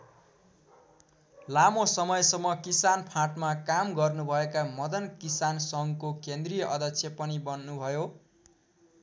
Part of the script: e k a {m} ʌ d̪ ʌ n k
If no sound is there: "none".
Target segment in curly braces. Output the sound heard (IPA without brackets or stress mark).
m